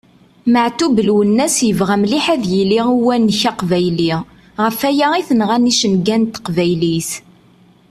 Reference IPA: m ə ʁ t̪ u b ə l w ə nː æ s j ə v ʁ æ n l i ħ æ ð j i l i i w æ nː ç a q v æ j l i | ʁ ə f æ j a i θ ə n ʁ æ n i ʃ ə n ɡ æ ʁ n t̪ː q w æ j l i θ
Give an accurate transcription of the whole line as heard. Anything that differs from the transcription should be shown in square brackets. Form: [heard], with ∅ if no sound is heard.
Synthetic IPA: m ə [ʕ] t̪ u b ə l w ə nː æ s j ə v ʁ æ [m] l i ħ æ ð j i l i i w æ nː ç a q v æ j l i | ʁ ə f æ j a i θ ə n ʁ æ n i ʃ ə n ɡ æ [∅] n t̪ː q [v] æ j l i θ